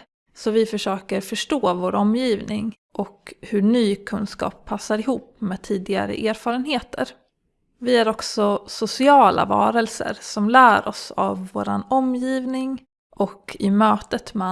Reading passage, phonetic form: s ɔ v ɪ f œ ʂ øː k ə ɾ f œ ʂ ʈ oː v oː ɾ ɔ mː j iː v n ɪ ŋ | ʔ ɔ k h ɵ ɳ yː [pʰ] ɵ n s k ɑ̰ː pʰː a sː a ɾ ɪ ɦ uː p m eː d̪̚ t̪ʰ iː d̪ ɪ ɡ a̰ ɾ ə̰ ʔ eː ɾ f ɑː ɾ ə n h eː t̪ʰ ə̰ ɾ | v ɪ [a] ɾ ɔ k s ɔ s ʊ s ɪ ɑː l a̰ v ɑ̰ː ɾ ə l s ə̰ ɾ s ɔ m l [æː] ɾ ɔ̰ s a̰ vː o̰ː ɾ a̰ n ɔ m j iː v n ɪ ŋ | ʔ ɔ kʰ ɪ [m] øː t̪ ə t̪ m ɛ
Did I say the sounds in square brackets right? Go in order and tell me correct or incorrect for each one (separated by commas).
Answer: incorrect, incorrect, correct, correct